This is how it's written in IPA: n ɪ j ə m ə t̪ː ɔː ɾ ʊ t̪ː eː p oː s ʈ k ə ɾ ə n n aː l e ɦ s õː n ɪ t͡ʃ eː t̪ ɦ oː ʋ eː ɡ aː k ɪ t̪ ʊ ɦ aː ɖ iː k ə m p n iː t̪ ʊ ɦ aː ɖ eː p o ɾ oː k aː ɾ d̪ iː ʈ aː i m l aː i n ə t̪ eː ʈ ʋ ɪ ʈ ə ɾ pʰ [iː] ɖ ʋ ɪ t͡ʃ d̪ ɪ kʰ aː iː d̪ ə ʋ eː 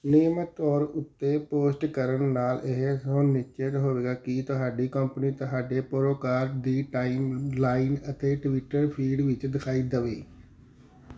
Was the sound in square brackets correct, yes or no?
yes